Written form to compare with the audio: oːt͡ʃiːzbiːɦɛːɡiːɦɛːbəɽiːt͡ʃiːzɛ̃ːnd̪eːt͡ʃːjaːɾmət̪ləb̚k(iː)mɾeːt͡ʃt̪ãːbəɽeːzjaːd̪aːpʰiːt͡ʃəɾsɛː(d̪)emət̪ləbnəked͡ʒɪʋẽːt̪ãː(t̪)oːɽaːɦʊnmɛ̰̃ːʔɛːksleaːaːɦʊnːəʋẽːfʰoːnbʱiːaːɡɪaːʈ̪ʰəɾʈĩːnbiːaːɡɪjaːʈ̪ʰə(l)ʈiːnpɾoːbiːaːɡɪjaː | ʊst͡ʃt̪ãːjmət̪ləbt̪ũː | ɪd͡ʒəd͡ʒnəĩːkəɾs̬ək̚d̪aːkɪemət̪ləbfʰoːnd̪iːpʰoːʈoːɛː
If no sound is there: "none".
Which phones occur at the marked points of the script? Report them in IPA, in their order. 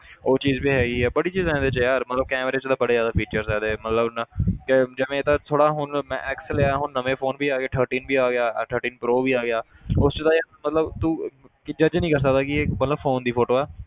ɛː, d̪, t̪ʰ, ɾ

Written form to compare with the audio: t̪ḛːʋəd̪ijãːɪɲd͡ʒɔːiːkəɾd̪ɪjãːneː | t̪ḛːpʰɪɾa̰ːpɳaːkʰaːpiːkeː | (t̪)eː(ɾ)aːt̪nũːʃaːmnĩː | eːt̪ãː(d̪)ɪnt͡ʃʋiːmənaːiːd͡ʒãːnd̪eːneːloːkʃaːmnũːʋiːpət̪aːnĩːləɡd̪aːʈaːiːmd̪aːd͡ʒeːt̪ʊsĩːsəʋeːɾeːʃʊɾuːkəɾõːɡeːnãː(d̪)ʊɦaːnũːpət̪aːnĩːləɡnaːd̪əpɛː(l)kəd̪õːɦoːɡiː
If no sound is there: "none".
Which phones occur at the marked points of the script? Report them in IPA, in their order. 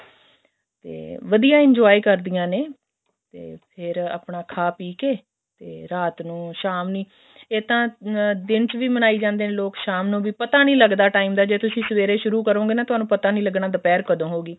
t̪, ɾ, d̪, t̪, ɾ

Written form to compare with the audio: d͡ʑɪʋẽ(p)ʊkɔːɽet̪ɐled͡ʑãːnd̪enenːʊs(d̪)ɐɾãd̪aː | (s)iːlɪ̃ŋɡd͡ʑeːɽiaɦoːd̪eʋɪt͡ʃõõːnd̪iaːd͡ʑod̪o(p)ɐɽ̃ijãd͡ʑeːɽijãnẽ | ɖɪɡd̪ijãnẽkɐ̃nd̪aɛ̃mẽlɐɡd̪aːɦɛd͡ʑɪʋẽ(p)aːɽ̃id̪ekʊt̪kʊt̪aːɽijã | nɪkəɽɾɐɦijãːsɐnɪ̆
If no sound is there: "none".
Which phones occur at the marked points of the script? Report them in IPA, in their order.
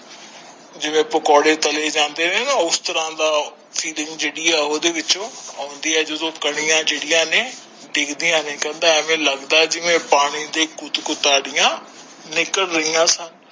p, t̪, f, k, p

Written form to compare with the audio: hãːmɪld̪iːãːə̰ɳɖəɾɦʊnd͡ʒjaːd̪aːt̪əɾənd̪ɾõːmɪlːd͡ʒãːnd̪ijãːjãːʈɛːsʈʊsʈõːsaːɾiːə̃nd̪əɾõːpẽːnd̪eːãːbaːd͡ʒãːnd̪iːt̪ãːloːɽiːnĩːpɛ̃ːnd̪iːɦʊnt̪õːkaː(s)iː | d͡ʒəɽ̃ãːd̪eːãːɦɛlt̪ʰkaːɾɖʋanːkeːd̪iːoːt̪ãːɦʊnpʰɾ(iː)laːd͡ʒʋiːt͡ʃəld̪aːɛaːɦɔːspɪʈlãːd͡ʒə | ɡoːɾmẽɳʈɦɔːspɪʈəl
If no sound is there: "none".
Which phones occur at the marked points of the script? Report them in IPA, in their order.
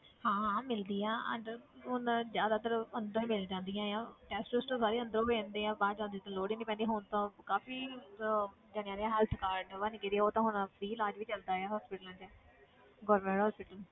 f, iː

